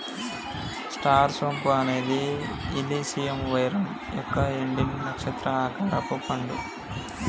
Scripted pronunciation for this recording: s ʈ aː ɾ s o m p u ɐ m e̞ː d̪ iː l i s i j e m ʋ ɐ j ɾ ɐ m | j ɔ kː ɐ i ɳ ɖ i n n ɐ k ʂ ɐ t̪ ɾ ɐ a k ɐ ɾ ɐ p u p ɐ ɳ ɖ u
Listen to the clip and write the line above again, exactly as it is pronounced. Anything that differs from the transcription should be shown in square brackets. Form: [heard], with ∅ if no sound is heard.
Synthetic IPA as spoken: s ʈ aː ɾ s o m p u ɐ [n] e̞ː d̪ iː l i s i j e m ʋ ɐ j ɾ ɐ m | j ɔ kː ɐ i ɳ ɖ i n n ɐ k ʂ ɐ t̪ ɾ ɐ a k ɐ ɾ ɐ p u p ɐ ɳ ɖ u

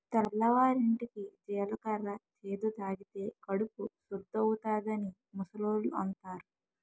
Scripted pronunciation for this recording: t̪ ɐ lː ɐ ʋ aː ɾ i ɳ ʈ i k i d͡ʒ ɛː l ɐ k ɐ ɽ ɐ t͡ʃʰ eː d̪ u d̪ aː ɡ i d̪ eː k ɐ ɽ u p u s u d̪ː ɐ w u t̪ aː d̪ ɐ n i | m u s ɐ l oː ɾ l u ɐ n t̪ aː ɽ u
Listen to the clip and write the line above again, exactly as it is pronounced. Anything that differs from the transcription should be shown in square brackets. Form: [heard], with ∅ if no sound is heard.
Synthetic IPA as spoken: t̪ ɐ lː ɐ ʋ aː ɾ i ɳ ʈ i k i d͡ʒ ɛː l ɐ k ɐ [ɾ] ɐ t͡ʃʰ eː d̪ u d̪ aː ɡ i [t̪] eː k ɐ ɽ u p u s u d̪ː ɐ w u t̪ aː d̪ ɐ n i | m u s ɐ l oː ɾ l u ɐ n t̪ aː [ɾ] u

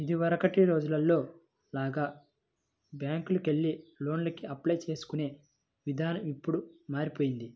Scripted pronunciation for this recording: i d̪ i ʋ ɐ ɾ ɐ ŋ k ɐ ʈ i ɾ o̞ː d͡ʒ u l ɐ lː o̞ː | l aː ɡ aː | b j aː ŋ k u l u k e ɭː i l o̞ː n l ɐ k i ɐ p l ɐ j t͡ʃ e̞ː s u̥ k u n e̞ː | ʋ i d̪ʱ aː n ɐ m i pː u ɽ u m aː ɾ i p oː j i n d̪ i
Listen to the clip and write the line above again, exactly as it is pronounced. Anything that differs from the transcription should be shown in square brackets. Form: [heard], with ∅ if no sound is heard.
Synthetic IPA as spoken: i d̪ i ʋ ɐ ɾ ɐ [∅] k ɐ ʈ i ɾ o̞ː d͡ʒ u l ɐ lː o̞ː | l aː ɡ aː | b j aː ŋ k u l u k e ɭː i l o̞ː n l ɐ k i ɐ p l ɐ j t͡ʃ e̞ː s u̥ k u n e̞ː | ʋ i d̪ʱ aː n ɐ m i pː u ɽ u m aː ɾ i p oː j i n d̪ i

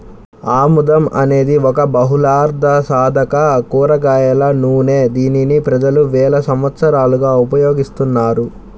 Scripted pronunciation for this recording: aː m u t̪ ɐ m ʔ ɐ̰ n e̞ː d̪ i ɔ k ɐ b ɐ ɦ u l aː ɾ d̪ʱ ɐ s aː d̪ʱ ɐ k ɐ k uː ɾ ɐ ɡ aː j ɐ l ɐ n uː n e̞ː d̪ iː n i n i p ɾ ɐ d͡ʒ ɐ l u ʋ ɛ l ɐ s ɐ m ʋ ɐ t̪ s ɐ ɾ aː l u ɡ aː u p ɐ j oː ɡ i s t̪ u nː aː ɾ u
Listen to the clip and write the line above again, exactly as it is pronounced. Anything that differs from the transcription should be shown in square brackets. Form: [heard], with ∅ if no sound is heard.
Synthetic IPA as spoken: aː m u [d̪] ɐ m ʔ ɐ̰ n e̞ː d̪ i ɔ k ɐ b ɐ ɦ u l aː ɾ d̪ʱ ɐ s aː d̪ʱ ɐ k ɐ k uː ɾ ɐ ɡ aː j ɐ l ɐ n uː n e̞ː d̪ iː n i n i p ɾ ɐ d͡ʒ ɐ l u ʋ [ɛː] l ɐ s ɐ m ʋ ɐ t̪ s ɐ ɾ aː l u ɡ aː u p ɐ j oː ɡ i s t̪ u nː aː ɾ u

